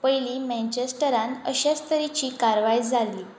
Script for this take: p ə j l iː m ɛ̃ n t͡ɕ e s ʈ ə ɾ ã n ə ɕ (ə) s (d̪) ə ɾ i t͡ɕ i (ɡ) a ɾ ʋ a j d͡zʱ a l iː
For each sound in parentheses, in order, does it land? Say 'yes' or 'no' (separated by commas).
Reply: no, no, no